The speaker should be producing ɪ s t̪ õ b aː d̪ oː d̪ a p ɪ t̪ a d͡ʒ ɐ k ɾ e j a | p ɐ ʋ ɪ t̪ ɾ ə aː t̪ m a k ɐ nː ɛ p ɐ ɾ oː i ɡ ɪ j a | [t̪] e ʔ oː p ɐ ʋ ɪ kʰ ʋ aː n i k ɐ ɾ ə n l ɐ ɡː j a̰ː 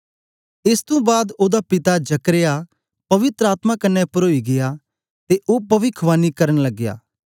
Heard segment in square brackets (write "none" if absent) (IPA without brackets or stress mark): t̪